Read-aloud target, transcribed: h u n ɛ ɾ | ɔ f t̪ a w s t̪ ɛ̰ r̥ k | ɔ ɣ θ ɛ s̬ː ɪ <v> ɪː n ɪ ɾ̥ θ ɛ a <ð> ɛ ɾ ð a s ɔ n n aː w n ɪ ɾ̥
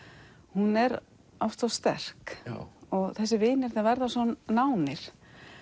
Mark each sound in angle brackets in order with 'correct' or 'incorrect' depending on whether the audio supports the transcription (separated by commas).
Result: correct, incorrect